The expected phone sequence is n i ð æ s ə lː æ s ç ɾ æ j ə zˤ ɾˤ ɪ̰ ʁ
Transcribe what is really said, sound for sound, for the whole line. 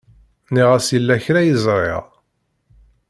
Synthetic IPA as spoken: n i ʁ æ s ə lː æ ç ɾ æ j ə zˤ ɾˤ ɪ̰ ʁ

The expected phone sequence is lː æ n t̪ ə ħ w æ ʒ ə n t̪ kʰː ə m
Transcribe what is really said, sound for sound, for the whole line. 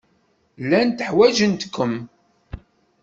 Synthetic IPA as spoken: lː æ n t̪ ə ħ w æ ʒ ə n t̪ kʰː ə m

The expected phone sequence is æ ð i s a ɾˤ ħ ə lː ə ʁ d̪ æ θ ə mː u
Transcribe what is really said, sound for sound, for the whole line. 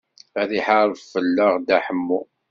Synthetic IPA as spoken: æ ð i ħ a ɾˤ f ə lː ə ʁ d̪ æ ħ ə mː u

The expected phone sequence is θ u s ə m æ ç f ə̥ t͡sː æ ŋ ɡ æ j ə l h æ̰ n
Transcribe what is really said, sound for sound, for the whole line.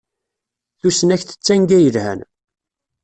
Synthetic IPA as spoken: θ u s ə n æ ç θ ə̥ t͡sː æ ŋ ɡ æ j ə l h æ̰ n

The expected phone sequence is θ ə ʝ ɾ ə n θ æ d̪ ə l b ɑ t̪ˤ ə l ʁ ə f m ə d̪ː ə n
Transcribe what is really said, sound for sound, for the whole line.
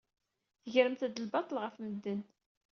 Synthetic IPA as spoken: θ ə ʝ ɾ ə m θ æ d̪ ə l b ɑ t̪ˤ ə l ʁ ə f m ə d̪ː ə n

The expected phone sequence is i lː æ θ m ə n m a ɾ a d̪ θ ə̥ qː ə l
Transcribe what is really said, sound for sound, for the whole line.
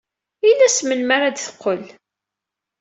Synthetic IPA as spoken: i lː æ s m ə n m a ɾ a d̪ θ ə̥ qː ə l

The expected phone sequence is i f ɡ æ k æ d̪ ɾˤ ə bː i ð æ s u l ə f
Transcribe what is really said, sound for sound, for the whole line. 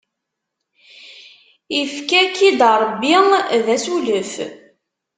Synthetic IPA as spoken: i f k æ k i d̪ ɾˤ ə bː i ð æ s u l ə f

